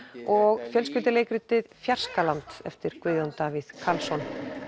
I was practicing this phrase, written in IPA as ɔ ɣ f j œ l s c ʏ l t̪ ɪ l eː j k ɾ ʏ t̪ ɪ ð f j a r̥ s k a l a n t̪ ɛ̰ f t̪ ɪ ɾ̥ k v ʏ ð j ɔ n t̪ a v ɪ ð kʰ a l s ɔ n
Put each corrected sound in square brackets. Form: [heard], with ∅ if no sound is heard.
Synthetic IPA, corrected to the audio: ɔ ɣ f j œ l s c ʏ l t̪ ɪ l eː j k ɾ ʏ t̪ ɪ ð f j a r̥ s k a l a n t̪ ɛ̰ f t̪ ɪ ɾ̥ k v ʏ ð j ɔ n t̪ a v ɪ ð kʰ a l s ɔ n